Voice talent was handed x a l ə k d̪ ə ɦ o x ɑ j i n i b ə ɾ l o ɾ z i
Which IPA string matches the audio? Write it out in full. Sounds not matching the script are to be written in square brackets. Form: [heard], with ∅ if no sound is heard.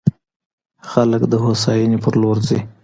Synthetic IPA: x a l ə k d̪ ə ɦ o [s] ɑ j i n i [p] ə ɾ l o ɾ z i